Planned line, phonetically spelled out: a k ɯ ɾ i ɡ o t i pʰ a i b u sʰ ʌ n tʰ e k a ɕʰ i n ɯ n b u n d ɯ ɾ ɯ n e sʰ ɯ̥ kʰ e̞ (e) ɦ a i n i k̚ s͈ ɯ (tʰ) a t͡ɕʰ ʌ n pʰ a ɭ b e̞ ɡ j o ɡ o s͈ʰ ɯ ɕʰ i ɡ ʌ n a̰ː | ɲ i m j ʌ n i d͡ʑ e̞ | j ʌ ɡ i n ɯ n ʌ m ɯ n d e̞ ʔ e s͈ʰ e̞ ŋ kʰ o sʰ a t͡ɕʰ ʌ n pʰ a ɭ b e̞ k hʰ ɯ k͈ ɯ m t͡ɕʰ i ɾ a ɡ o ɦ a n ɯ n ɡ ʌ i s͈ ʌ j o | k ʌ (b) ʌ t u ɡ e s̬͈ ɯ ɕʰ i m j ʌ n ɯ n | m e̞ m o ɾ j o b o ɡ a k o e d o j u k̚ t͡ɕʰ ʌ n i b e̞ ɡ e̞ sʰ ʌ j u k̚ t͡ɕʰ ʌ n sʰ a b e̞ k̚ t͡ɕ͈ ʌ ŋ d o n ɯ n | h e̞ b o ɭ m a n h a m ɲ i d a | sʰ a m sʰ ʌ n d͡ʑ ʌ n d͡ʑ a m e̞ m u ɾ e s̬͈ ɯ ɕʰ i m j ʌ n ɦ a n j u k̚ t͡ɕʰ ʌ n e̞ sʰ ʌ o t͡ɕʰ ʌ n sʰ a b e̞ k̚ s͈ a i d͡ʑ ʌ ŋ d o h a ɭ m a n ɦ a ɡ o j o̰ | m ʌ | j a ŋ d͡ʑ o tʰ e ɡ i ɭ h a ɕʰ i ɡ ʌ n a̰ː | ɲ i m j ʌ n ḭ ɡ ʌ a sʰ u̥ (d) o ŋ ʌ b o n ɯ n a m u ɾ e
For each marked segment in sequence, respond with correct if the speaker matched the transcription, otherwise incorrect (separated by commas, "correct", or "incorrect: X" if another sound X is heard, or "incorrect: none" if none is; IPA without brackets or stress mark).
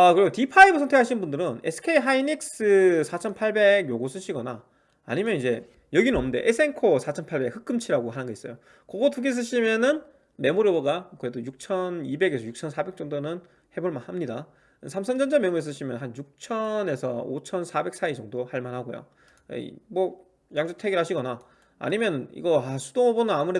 incorrect: i, incorrect: sʰ, incorrect: ɡ, correct